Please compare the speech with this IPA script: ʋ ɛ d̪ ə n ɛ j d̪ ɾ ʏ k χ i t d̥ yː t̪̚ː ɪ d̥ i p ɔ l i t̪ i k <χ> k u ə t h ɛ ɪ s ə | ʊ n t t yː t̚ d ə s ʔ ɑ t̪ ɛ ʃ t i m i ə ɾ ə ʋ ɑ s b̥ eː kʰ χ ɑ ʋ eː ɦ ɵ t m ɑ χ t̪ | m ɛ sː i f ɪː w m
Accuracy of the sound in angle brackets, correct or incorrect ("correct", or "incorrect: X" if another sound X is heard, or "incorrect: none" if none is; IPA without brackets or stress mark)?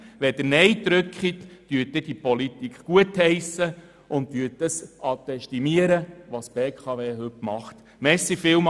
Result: correct